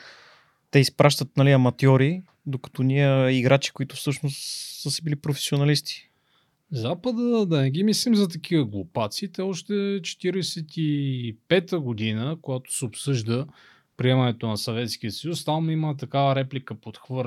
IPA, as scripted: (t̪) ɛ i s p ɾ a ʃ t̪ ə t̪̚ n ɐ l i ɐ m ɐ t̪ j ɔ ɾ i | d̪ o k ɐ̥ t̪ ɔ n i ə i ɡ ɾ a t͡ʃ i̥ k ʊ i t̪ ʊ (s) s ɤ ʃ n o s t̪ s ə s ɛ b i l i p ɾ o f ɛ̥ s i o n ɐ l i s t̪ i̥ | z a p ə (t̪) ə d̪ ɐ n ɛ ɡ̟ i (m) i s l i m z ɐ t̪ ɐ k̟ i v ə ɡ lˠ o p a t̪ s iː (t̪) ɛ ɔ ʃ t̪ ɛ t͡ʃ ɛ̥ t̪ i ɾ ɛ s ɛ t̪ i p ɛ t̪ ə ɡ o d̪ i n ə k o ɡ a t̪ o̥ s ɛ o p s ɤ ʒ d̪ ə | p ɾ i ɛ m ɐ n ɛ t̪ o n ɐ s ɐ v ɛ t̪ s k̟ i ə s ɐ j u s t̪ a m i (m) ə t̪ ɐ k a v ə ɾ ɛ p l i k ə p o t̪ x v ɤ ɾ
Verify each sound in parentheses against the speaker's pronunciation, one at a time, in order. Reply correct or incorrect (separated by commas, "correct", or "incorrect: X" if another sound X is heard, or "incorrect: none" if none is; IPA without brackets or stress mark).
correct, incorrect: f, incorrect: d̪, correct, correct, correct